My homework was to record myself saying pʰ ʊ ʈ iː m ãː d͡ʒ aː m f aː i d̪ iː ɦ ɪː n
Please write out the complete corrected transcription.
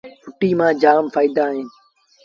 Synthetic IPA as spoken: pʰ ʊ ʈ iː m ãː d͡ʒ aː m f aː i d̪ aː ɦ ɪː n